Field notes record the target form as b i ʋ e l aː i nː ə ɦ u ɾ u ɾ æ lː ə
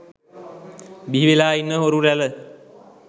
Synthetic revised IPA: b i ʋ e l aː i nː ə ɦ o ɾ u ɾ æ l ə